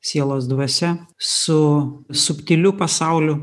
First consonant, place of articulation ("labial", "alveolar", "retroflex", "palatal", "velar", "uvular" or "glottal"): alveolar